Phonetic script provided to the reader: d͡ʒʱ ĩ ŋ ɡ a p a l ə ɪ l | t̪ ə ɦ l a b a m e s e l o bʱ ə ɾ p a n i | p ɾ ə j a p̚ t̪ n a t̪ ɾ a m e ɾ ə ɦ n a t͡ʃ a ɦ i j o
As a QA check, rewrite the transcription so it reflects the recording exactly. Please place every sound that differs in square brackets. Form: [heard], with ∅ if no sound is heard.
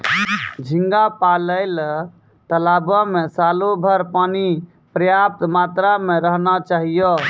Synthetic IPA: d͡ʒʱ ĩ ŋ ɡ a p a l ə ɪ l | t̪ ə [∅] l a b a m e s [a] l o bʱ ə ɾ p a n i | p ɾ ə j a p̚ t̪ [m] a t̪ ɾ a m e ɾ ə ɦ n a t͡ʃ a ɦ i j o